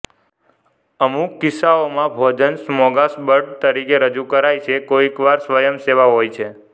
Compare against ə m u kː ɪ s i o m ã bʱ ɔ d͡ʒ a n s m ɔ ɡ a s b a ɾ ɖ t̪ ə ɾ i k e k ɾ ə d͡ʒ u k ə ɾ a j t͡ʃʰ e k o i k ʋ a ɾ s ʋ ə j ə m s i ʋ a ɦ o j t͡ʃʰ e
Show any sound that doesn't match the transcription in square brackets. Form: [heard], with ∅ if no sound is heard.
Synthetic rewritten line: ə m u kː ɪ s [a] o m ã bʱ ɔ d͡ʒ [ə] n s m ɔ ɡ a s b [ə] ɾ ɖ t̪ ə ɾ i k e [∅] ɾ ə d͡ʒ u k ə ɾ a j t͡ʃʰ e k o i k ʋ a ɾ s ʋ ə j ə m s [e] ʋ a ɦ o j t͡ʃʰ e